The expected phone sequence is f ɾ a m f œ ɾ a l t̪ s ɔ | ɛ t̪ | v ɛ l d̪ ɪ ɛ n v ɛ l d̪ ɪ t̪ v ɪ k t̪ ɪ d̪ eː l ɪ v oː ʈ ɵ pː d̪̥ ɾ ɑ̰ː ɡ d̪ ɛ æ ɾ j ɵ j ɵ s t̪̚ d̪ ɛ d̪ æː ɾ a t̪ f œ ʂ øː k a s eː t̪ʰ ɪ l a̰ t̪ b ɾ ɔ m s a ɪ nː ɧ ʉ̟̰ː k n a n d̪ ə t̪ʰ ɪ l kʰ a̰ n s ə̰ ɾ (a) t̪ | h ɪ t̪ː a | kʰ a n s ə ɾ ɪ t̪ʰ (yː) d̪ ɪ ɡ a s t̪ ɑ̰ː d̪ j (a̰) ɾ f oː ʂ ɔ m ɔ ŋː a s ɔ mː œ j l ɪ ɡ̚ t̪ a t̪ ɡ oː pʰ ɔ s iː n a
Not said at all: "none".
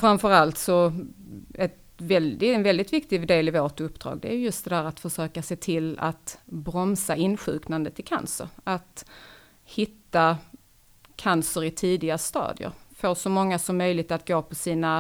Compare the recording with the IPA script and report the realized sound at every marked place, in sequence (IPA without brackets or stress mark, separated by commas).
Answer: a, iː, ə̰